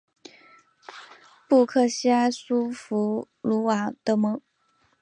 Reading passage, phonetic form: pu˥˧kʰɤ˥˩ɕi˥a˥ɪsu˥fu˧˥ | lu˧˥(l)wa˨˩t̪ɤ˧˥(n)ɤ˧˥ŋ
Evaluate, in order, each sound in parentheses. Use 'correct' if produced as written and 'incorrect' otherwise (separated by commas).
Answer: incorrect, incorrect